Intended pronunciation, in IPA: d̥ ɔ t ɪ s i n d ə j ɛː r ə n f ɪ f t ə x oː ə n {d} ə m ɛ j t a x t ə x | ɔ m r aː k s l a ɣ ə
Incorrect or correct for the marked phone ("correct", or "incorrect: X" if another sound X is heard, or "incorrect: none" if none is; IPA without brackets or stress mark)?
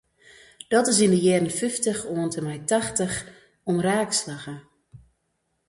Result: incorrect: t